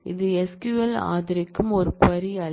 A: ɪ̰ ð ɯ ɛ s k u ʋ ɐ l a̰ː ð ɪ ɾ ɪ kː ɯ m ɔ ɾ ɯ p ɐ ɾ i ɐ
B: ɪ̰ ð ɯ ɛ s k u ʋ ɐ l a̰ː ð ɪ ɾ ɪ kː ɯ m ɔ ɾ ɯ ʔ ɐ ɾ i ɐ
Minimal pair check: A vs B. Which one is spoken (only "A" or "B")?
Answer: A